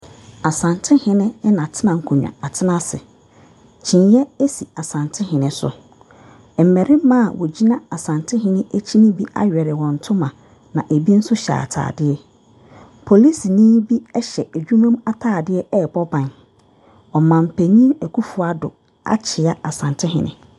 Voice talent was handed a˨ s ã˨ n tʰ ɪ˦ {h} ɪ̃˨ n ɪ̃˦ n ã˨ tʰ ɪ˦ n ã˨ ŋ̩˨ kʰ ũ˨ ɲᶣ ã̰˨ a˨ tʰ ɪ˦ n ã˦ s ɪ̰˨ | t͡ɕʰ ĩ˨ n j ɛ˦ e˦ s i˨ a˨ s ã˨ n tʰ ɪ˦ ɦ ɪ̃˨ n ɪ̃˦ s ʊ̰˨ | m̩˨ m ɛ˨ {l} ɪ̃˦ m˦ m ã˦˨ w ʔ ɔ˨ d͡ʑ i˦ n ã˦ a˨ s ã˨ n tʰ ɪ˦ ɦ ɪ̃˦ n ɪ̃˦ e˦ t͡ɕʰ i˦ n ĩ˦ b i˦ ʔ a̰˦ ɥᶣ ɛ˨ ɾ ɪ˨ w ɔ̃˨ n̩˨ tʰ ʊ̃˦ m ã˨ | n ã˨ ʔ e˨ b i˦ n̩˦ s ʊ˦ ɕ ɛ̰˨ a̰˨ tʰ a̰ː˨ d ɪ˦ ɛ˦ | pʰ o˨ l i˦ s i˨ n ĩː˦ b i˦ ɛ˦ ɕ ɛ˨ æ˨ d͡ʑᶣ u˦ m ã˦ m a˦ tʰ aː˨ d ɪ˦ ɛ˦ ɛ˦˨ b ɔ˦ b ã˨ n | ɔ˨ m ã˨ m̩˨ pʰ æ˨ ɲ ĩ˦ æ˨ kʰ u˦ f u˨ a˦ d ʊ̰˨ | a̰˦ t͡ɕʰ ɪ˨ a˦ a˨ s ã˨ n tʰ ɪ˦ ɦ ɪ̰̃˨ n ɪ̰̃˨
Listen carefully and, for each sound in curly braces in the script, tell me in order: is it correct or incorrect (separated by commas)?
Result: correct, incorrect